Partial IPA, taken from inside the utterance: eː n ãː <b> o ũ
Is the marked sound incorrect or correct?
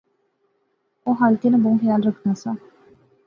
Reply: correct